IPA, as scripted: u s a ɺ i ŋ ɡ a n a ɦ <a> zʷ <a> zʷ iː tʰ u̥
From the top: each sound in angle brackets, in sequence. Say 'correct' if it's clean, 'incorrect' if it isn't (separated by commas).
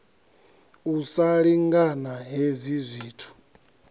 incorrect, incorrect